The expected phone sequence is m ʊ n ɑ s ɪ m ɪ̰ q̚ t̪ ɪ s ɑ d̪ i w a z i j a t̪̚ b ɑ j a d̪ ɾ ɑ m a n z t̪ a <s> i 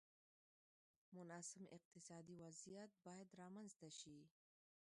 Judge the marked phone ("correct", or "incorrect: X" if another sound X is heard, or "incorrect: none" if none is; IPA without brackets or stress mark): incorrect: ʃ